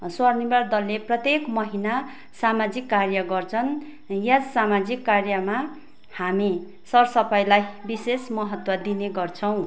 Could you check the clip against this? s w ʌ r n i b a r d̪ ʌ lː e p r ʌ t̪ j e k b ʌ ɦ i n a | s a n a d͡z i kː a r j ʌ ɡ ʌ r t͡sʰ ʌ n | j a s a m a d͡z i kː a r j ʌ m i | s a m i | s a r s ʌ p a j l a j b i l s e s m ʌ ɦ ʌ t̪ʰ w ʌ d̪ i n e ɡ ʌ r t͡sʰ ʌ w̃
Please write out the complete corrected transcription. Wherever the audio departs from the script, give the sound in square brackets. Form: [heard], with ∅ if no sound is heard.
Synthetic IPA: s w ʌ r n i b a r d̪ ʌ lː e p r ʌ t̪ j e k [m] ʌ ɦ i n a | s a [m] a d͡z i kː a r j ʌ ɡ ʌ r t͡sʰ ʌ n | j a s a m a d͡z i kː a r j ʌ m [a] | [h] a m i | s [ʌ] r s ʌ p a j l a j b i [∅] s e s m ʌ ɦ ʌ [t̪] w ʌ d̪ i n e ɡ ʌ r t͡sʰ ʌ w̃